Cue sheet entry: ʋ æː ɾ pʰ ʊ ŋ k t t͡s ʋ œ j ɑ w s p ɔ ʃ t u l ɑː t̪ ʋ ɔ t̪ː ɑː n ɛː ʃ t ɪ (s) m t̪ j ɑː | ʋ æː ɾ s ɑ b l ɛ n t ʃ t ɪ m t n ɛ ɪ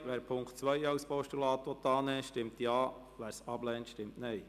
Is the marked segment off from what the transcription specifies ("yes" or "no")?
yes